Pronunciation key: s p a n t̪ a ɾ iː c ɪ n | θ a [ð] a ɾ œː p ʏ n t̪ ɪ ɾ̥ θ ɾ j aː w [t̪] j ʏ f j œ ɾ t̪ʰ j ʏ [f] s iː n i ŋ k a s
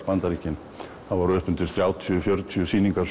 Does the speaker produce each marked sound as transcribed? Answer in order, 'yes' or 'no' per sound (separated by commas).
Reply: no, no, no